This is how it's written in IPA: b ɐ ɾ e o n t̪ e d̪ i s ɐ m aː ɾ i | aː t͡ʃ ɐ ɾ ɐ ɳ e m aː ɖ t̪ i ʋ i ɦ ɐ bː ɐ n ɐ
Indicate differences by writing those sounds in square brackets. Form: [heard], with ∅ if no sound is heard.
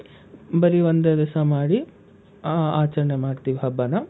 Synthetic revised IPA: b ɐ ɾ [i] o n [d̪] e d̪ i s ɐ m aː [ɽ] i | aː t͡ʃ ɐ ɾ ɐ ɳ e m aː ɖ t̪ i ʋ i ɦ ɐ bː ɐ n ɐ